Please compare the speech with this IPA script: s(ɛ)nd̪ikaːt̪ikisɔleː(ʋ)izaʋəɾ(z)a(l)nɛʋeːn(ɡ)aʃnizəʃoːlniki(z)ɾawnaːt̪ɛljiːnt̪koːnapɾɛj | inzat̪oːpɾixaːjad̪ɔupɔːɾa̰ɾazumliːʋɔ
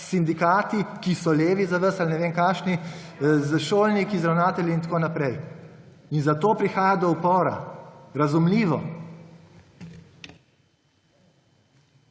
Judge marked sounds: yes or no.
no, yes, no, yes, no, yes

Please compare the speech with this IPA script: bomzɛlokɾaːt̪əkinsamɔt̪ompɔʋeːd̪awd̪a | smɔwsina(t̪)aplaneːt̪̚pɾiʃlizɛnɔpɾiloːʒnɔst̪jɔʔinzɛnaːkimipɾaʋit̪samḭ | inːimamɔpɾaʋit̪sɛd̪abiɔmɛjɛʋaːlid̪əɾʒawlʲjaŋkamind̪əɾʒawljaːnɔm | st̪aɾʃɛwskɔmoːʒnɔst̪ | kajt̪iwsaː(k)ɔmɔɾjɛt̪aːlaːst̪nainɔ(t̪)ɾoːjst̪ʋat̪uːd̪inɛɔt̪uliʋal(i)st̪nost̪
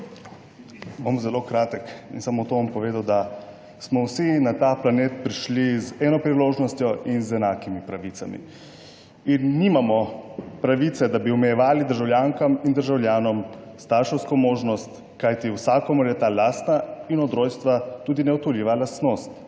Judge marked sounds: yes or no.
yes, yes, no, no

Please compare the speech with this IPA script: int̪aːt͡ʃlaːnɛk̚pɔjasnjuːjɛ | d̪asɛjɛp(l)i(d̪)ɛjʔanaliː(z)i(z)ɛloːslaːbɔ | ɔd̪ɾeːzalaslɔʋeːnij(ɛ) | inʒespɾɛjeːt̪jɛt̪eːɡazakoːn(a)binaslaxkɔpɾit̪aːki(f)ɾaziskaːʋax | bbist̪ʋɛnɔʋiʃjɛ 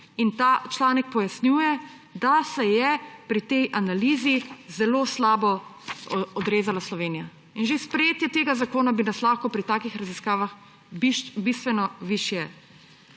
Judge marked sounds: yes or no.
no, no, yes, yes, no, yes, no

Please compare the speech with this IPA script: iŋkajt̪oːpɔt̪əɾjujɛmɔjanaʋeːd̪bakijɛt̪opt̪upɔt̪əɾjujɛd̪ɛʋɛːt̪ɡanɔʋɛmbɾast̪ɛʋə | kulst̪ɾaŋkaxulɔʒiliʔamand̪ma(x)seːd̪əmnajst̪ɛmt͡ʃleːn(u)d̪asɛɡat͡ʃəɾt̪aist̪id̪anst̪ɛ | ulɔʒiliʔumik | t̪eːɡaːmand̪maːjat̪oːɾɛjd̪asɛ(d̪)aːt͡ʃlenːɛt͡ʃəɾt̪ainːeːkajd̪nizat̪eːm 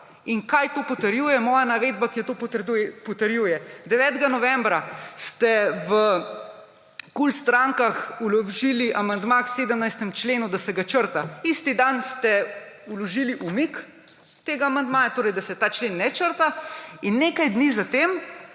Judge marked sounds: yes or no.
no, yes, no

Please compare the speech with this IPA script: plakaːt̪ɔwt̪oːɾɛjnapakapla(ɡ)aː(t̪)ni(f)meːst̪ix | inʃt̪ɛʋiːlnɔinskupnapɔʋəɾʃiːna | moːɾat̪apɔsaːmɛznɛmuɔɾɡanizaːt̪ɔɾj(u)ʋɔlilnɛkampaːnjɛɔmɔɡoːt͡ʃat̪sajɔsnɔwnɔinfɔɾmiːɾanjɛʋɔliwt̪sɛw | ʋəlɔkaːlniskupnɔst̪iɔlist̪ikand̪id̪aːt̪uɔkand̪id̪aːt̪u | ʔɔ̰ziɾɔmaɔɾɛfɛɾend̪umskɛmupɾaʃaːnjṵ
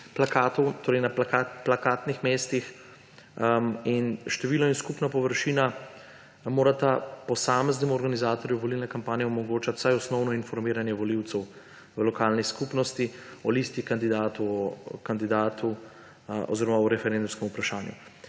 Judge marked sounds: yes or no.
no, yes, no, yes

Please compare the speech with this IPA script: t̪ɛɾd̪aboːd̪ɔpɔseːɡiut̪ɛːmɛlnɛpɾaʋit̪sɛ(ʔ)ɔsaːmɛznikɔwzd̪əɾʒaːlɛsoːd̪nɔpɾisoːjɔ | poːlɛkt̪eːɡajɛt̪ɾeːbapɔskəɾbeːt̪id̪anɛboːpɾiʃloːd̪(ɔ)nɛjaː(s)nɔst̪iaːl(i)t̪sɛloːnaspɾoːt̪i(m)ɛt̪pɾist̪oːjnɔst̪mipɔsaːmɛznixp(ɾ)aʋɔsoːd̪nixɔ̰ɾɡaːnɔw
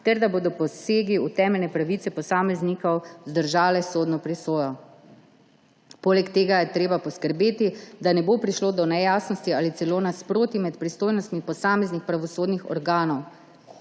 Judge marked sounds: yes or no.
no, yes, yes, yes, yes, yes

